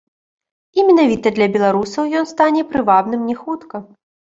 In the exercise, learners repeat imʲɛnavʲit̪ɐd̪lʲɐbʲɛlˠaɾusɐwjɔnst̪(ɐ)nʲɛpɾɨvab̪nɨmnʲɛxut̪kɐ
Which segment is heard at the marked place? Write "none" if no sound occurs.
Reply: a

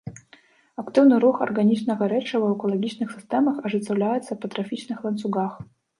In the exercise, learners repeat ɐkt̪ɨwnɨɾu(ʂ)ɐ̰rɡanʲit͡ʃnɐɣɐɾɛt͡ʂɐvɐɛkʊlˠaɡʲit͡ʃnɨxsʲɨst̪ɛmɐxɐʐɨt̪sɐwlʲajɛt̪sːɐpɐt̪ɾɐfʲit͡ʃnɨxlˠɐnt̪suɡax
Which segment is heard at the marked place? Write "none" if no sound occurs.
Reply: x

